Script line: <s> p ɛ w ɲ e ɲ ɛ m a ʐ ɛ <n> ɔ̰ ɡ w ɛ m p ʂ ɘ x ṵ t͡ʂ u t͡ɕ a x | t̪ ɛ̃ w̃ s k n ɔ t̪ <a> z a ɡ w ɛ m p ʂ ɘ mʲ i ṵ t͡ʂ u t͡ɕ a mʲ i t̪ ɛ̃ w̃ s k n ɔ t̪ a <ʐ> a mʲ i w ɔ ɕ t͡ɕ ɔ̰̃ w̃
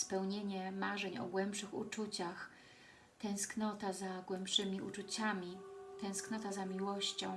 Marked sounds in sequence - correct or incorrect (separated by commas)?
correct, incorrect, correct, incorrect